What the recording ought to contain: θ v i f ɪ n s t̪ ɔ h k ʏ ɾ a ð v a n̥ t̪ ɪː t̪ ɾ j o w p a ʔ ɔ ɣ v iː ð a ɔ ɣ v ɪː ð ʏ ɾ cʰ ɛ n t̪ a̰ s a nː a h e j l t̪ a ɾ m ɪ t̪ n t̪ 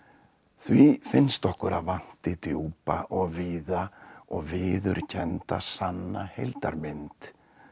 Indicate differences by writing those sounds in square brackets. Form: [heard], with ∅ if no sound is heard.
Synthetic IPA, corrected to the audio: θ v i f ɪ n s t̪ ɔ h k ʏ ɾ a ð v a n̥ t̪ [ɪ] t̪ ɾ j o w p a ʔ ɔ ɣ v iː ð a ɔ ɣ v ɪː ð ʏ ɾ cʰ ɛ n t̪ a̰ s a nː a h e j l t̪ a ɾ m ɪ [∅] n t̪